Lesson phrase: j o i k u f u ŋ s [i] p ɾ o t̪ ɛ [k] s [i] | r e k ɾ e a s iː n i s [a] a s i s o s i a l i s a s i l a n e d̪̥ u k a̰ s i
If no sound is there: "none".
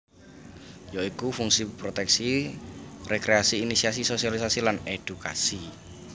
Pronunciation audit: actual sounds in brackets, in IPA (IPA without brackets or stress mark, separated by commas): i, k, i, i